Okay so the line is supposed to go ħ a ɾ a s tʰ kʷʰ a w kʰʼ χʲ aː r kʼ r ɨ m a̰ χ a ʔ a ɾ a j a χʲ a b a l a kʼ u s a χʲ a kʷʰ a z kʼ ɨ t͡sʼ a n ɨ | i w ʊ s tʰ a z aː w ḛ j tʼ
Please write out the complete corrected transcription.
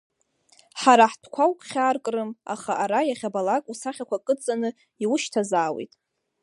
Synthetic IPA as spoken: ħ a ɾ a ħ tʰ kʷʰ a w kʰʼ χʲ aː r kʼ r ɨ m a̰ χ a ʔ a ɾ a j a χʲ a b a l a kʼ u s a χʲ a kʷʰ a kʼ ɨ t͡sʼ a n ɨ | i w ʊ ʃ tʰ a z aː w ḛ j tʼ